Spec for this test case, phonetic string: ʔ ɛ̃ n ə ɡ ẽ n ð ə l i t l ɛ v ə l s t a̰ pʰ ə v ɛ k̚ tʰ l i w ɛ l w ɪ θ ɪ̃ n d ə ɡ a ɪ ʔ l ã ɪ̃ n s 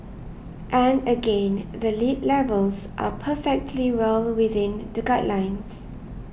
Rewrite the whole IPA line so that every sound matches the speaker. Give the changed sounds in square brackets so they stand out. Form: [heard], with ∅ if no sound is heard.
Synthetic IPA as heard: ʔ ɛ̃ n ə ɡ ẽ n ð ə l i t l ɛ v ə l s [ʔ] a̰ pʰ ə [f] ɛ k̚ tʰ l i w ɛ l w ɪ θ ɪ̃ n d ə ɡ a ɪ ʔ l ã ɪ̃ n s